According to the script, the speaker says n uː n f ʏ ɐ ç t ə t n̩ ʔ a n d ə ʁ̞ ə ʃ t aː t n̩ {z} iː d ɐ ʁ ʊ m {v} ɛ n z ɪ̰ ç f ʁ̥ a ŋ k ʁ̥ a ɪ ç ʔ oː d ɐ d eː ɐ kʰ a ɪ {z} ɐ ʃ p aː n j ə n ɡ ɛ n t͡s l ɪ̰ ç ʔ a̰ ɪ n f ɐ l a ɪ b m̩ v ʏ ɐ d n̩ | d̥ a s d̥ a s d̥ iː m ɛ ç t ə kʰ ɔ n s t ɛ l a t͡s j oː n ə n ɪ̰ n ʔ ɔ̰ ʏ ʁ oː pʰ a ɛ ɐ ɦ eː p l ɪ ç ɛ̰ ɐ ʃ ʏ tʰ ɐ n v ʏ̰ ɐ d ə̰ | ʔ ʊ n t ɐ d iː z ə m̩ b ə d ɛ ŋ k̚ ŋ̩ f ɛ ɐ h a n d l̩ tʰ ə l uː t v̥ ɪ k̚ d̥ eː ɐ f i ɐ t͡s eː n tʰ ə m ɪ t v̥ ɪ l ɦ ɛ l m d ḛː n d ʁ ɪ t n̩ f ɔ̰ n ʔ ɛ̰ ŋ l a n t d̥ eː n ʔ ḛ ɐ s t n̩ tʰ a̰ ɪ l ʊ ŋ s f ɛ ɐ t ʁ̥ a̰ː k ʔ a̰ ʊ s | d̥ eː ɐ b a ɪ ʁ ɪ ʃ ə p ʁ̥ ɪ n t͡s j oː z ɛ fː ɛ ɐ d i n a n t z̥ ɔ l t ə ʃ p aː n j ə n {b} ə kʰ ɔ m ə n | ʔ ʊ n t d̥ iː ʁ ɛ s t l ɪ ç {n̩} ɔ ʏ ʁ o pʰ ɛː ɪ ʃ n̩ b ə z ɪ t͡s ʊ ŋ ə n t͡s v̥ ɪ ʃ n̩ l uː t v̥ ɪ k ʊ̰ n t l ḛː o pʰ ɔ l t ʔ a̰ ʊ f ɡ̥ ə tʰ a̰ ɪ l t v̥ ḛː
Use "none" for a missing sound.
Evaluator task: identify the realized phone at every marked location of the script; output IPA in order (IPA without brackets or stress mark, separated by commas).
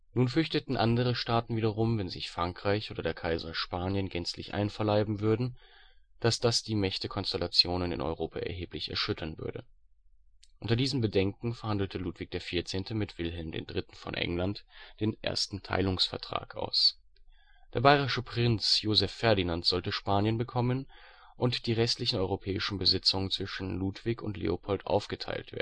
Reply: v, v, z, b, n̩